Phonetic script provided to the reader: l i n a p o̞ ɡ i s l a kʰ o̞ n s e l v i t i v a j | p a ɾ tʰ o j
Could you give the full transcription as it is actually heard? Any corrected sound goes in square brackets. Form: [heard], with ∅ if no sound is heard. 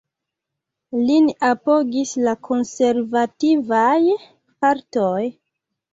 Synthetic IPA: l i n a p o̞ ɡ i s l a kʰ o̞ n s e [ɾ] v [a] t i v a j | p a ɾ [t] o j